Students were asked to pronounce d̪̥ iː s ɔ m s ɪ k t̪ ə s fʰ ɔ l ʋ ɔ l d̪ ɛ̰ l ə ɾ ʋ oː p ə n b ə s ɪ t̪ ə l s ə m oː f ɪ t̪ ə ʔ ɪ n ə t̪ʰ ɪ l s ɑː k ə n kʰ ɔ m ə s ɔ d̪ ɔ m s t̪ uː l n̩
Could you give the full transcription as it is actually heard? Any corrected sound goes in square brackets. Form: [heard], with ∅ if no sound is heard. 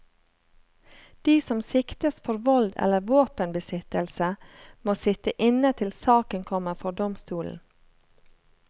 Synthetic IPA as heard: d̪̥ iː s ɔ m s ɪ k t̪ ə s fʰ ɔ [ɾ] ʋ ɔ l d̪ ɛ̰ l ə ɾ ʋ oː p ə n b ə s ɪ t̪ ə l s ə m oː [s] ɪ t̪ ə ʔ ɪ n ə t̪ʰ ɪ l s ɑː k ə n kʰ ɔ m ə [f] ɔ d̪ ɔ m s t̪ uː l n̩